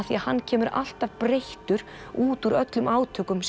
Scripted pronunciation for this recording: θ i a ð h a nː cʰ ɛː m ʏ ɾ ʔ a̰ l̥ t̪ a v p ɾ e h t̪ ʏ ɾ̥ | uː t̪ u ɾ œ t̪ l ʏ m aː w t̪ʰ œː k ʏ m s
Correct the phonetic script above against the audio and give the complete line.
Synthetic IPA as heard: θ i a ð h a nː cʰ ɛː m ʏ ɾ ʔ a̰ l̥ t̪ a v p ɾ e h t̪ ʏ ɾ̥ | uː t̪ u ɾ œ t̪ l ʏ m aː w t̪ʰ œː k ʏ m s